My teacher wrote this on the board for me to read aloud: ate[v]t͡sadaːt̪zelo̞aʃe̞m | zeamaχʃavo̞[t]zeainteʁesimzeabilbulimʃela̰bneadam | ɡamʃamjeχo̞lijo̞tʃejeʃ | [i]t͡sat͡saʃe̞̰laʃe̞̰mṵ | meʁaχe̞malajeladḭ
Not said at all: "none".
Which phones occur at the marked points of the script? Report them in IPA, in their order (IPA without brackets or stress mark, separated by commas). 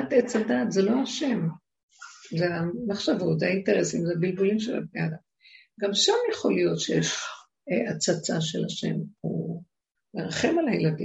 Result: none, t, a